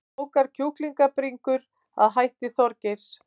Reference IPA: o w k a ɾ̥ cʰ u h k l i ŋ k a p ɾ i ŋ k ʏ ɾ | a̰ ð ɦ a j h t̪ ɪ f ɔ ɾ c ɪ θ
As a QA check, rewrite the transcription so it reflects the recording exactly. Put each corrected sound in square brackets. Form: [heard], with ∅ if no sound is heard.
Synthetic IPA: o w k a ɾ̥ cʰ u h k l i ŋ k a p ɾ i ŋ k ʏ ɾ | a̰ ð ɦ a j h t̪ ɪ [θ] ɔ ɾ c ɪ [s]